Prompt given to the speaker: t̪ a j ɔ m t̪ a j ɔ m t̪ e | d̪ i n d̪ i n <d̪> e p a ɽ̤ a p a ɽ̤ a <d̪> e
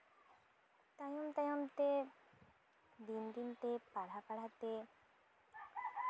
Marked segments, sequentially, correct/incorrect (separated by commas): incorrect, incorrect